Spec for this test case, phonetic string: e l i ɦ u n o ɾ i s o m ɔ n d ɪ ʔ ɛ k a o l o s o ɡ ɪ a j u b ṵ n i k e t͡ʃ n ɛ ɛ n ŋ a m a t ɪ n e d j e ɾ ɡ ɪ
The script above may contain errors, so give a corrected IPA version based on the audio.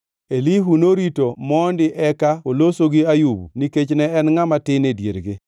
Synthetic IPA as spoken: e l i ɦ u n o ɾ i t o m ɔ n d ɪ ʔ ɛ k a o l o s o ɡ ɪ a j u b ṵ n i k e t͡ʃ n ɛ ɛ n ŋ a m a t ɪ n e d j e ɾ ɡ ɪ